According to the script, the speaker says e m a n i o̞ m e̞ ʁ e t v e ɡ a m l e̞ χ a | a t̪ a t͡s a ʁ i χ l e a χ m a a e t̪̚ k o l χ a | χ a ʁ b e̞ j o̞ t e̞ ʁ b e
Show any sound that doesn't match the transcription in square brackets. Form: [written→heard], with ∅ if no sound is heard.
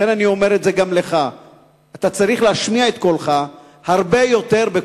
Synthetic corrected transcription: e [m→n] a n i o̞ m e̞ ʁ e t [v→z] e ɡ a m l e̞ χ a | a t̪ a t͡s a ʁ i χ l e a [χ→ʃ] m [a→i] a e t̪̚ k o l χ a | [χ→h] a ʁ b e̞ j o̞ t e̞ ʁ b e